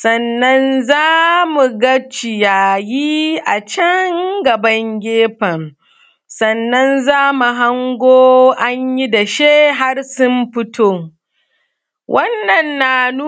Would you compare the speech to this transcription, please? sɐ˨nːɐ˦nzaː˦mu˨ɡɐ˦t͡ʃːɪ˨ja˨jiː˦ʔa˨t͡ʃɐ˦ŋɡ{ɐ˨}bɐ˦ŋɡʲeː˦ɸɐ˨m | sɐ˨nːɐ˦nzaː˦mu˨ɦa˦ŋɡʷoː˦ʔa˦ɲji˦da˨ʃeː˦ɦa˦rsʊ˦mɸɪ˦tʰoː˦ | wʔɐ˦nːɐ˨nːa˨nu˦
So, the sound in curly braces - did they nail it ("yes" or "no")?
yes